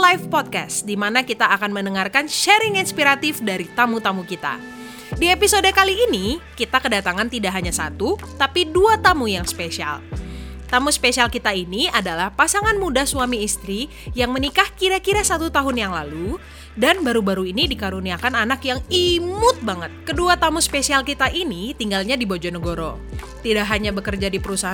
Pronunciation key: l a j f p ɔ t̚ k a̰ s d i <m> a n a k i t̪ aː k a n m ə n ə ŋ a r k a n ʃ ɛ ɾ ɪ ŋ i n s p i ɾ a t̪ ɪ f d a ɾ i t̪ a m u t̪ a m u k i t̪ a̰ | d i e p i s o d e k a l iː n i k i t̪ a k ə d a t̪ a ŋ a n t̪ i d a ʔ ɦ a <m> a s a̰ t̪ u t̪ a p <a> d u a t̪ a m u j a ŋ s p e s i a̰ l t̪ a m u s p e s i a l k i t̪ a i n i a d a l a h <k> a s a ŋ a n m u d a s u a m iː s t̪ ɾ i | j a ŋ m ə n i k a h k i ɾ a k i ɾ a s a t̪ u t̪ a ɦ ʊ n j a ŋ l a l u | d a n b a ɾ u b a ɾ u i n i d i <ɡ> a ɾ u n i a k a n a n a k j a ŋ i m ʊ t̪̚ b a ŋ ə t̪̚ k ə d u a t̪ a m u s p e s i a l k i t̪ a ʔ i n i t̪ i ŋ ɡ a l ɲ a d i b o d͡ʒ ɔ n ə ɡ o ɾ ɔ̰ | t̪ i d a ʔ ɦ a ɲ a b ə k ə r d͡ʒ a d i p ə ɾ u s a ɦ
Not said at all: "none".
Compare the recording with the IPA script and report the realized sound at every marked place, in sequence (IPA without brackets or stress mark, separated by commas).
m, ɲ, i, p, k